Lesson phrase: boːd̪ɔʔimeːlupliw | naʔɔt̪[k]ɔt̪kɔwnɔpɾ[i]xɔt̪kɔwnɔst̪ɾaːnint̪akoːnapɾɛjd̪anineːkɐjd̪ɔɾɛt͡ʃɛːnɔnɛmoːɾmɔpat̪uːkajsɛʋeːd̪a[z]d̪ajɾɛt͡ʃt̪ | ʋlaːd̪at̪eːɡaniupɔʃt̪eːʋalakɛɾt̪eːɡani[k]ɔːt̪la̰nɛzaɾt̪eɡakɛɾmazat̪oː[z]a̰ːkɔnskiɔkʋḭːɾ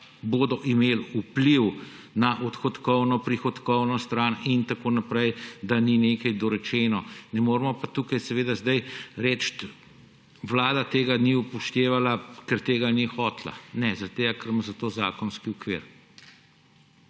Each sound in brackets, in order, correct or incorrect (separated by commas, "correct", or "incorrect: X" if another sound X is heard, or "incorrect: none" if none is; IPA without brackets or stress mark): incorrect: x, correct, correct, incorrect: x, correct